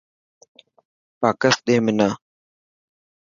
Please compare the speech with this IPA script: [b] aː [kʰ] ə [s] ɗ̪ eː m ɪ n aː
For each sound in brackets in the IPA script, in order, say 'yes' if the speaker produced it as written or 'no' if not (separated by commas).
no, no, yes